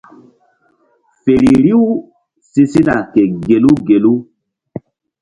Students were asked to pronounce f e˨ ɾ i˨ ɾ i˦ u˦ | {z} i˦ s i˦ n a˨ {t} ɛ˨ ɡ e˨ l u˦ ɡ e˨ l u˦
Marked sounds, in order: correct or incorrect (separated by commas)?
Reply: incorrect, incorrect